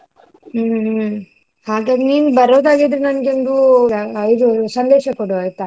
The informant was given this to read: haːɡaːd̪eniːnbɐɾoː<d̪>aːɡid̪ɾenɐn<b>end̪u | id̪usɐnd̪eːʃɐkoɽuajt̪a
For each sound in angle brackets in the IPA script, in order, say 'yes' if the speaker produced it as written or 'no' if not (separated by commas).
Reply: yes, no